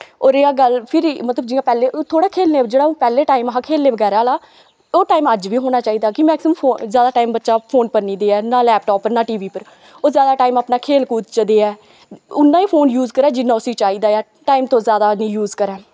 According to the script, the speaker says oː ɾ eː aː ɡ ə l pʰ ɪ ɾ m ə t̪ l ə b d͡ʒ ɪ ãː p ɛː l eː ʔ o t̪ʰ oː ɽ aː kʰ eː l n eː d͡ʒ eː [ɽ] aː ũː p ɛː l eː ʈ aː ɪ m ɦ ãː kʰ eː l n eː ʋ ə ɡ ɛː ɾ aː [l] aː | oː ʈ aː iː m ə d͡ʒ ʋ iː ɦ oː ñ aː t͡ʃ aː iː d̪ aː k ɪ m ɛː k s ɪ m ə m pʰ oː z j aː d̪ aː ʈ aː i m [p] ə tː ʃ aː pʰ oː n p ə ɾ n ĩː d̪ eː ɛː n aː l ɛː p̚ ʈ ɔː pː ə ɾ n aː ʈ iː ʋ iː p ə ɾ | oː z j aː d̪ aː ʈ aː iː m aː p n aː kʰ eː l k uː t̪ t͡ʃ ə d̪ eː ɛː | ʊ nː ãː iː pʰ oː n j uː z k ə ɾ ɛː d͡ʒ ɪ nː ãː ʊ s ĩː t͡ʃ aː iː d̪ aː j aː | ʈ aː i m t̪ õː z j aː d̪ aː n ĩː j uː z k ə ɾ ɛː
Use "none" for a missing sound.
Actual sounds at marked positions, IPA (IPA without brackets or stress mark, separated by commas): ɽ, l, b